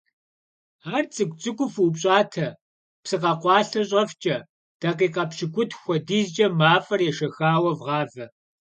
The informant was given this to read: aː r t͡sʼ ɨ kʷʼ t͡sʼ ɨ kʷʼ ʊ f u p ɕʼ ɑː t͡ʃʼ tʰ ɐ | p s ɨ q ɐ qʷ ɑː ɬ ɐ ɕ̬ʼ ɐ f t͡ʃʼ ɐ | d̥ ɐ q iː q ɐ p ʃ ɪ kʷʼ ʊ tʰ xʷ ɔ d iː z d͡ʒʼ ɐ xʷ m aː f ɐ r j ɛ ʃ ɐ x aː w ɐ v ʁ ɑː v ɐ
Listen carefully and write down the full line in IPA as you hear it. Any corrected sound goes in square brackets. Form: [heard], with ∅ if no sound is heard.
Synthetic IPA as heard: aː r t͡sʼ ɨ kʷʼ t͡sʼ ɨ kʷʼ ʊ f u p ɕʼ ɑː [∅] tʰ ɐ | p s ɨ q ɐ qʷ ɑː ɬ ɐ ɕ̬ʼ ɐ f t͡ʃʼ ɐ | d̥ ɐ q iː q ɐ p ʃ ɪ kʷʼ ʊ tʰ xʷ ɔ d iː z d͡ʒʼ ɐ [∅] m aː f ɐ r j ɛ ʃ ɐ x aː w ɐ v ʁ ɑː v ɐ